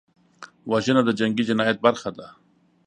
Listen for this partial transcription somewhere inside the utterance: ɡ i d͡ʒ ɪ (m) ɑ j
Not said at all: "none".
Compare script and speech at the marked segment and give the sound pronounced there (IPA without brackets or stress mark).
n